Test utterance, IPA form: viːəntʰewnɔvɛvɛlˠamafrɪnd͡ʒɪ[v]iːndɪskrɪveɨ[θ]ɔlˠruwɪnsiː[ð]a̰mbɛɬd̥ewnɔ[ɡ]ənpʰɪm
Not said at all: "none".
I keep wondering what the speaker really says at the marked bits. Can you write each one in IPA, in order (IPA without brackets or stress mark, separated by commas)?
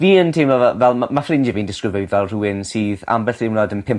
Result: v, ð, ð, d